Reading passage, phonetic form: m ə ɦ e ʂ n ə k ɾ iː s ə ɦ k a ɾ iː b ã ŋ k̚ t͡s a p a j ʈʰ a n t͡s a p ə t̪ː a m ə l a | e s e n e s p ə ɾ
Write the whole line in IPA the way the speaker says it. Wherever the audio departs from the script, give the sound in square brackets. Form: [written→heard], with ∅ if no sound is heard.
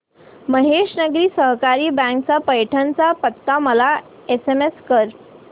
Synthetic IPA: m ə ɦ e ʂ n ə [k→ɡ] ɾ iː s ə ɦ k a ɾ iː b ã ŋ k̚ t͡s a p [a→ə] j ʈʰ a n t͡s a p ə t̪ː a m ə l a | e s e [n→m] e s [p→k] ə ɾ